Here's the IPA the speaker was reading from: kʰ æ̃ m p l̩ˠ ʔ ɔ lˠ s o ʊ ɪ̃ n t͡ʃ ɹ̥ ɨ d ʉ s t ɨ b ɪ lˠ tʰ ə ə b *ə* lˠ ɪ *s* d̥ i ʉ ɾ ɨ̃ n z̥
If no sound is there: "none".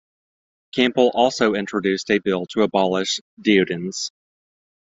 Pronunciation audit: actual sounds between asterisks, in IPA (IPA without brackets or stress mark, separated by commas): ɑ, ʃ